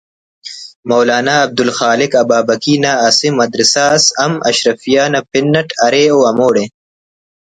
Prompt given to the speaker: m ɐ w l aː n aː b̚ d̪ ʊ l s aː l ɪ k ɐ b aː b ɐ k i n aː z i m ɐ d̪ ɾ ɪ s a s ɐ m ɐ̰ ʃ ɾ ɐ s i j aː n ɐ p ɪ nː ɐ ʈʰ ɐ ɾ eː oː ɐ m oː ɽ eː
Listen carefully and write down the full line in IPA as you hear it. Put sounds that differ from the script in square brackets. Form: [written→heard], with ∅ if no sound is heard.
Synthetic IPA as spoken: m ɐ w l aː n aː b̚ d̪ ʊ l [s→x] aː l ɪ k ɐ b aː b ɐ k i n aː [z→s] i m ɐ d̪ ɾ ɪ s a s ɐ m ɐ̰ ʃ ɾ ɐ [s→f] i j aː n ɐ p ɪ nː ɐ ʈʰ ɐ ɾ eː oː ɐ m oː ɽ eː